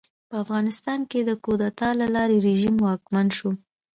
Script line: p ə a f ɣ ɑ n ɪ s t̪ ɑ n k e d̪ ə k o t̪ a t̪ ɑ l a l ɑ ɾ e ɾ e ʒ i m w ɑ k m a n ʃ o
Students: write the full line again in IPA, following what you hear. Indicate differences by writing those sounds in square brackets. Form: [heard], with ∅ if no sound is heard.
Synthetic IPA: p ə a f ɣ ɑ n ɪ s t̪ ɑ n k e d̪ ə k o [d̪] a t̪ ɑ l a l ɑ ɾ e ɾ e ʒ i m w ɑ k m a n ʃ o

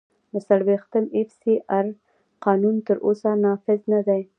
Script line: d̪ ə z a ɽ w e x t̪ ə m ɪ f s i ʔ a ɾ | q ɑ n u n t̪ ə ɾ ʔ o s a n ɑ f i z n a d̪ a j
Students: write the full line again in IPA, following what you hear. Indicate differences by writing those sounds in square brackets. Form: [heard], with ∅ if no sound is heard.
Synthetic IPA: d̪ ə [s] a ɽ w e x t̪ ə m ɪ f s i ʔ a ɾ | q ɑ n u n t̪ ə ɾ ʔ o s a n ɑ f [ɪ] z n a d̪ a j

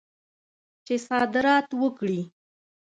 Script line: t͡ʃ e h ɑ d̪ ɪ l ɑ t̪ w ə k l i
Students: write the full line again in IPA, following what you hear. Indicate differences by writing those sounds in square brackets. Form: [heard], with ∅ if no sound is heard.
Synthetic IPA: t͡ʃ e [s] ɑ d̪ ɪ [ɾ] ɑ t̪ w ə k [ɽ] i

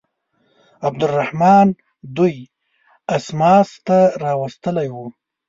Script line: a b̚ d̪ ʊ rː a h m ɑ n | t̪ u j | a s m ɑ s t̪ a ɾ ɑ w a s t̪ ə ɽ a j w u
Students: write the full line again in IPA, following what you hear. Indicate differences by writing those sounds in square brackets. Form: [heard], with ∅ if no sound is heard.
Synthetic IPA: a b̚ d̪ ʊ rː a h m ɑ n | [d̪] u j | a s m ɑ s t̪ a ɾ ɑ w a s t̪ ə [l] a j w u

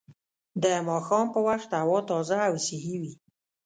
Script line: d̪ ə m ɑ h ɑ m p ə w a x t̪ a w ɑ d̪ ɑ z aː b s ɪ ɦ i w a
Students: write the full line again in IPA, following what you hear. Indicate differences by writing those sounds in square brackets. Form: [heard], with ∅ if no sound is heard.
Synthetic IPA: d̪ ə m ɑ [x] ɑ m p ə w a x t̪ a w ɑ [t̪] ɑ z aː [w] s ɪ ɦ i w [i]

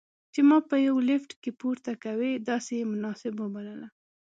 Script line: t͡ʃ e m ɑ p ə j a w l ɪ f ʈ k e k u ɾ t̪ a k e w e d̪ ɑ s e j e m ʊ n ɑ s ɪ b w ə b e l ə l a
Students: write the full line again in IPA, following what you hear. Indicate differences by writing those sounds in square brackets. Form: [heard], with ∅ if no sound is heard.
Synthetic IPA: t͡ʃ e m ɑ p ə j a w l ɪ f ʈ k e [p] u ɾ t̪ a k [a] w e d̪ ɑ s e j e m ʊ n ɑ s ɪ b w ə b [a] l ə l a

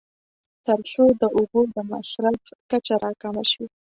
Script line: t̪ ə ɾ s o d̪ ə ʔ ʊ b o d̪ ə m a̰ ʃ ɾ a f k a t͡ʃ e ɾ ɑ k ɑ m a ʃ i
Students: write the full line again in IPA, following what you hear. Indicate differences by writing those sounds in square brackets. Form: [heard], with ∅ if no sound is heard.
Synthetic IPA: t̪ ə ɾ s o d̪ ə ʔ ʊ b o d̪ ə m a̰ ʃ ɾ a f k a t͡ʃ [a] ɾ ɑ k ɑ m a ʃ i

